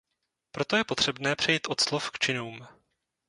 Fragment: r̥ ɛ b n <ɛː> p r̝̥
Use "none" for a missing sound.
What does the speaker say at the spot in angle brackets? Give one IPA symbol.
ɛː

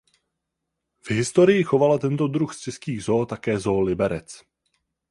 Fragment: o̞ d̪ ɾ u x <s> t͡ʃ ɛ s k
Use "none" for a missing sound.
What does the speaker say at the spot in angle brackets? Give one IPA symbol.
s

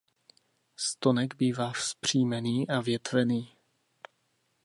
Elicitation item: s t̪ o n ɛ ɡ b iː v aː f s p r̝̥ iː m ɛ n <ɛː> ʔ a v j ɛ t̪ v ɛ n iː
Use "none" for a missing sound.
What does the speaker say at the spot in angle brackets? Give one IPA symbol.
iː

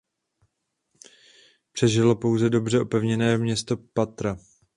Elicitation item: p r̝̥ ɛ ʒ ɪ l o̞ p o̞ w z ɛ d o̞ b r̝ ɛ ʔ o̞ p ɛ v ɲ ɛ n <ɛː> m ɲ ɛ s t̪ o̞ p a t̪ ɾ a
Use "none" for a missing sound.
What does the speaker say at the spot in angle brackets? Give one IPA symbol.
ɛː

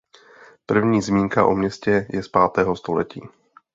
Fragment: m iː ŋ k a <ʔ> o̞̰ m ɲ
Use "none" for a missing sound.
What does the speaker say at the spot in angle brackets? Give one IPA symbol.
ʔ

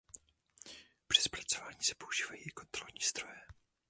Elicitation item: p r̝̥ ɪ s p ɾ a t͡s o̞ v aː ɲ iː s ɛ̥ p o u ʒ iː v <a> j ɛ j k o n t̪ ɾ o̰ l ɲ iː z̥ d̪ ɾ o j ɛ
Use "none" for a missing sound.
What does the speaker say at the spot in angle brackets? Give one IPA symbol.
a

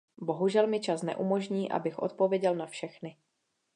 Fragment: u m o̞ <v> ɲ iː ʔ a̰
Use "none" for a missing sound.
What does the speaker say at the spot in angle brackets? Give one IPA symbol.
ʒ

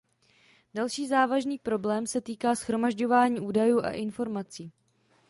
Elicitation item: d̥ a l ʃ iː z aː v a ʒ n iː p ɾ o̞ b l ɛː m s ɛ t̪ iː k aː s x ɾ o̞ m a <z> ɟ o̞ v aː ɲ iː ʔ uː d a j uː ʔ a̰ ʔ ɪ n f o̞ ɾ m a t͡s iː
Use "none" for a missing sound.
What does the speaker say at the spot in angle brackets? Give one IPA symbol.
ʒ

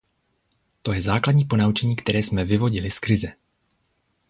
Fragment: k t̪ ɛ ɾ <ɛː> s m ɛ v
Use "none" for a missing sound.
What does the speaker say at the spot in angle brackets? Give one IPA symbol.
ɛː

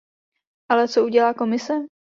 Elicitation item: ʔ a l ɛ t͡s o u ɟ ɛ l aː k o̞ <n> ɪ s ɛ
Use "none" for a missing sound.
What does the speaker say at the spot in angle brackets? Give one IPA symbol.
m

